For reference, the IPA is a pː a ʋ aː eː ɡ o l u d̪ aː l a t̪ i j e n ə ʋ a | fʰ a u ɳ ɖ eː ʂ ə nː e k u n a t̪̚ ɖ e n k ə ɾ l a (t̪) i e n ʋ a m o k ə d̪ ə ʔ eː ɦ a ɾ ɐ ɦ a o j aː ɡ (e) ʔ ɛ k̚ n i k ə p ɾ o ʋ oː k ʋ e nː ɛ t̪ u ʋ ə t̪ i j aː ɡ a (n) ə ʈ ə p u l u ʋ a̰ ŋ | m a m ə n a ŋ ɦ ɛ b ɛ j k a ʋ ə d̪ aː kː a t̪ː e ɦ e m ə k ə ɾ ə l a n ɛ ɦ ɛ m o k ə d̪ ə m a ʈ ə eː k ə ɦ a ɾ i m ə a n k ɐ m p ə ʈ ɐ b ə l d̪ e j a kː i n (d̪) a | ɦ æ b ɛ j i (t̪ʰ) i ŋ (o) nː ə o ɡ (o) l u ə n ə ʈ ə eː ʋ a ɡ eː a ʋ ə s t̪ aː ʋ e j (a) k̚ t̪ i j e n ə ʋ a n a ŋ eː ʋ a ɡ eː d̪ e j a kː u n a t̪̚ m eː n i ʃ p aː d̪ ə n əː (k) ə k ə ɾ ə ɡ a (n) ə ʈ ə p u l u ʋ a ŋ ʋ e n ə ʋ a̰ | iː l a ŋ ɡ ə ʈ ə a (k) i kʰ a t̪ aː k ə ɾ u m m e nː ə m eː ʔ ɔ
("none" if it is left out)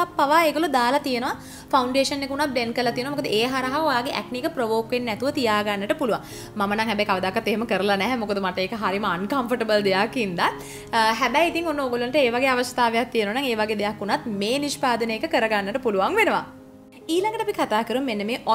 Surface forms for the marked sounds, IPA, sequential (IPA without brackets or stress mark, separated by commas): t̪, e, nː, d̪, t̪, o, o, a, k, nː, p